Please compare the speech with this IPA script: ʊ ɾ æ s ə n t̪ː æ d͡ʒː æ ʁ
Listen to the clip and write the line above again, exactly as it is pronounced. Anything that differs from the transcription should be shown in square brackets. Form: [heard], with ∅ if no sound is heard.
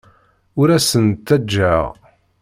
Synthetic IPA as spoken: ʊ ɾ æ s ə n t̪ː æ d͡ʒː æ ʁ